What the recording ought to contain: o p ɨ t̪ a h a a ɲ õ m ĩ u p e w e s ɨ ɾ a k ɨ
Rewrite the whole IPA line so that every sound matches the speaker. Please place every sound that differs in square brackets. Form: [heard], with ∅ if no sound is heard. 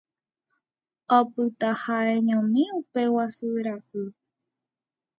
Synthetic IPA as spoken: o p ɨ t̪ a h a [e] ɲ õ m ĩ u p e w [a] s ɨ ɾ a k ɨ